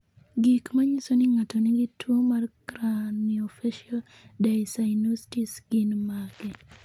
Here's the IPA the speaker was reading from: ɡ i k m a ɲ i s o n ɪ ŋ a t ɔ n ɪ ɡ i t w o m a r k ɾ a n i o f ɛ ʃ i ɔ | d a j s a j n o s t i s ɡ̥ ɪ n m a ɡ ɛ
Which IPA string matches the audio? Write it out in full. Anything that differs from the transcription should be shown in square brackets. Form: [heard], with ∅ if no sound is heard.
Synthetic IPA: ɡ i k m a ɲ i s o n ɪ ŋ a t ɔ n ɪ ɡ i t w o m a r k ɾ a n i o f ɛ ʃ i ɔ | d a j s a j n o s t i s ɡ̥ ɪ n m a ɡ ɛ